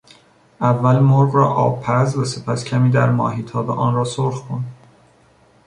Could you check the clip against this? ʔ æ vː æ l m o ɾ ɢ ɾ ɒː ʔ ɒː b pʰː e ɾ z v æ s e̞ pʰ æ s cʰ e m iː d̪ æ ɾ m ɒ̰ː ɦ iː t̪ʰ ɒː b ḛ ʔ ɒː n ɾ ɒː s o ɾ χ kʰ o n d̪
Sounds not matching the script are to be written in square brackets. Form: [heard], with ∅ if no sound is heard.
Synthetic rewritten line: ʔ æ vː æ l m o ɾ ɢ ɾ ɒː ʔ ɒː b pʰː [æ] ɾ z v æ s e̞ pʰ æ s cʰ [æ] m iː d̪ æ ɾ m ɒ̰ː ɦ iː t̪ʰ ɒː b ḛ ʔ ɒː n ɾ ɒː s o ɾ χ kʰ o n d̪

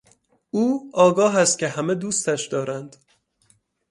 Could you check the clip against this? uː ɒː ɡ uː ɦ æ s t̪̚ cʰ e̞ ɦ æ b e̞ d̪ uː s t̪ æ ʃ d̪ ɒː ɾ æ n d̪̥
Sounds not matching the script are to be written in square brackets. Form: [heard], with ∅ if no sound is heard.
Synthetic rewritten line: uː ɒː ɡ [ɒː] ɦ æ s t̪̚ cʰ e̞ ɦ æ [m] e̞ d̪ uː s t̪ æ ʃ d̪ ɒː ɾ æ n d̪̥

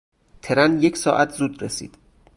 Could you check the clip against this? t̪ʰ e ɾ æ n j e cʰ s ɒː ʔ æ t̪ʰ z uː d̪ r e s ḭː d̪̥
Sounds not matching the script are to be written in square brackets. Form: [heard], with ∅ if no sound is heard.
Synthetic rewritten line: t̪ʰ e ɾ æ n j e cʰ s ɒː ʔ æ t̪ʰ z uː d̪ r e s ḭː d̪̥

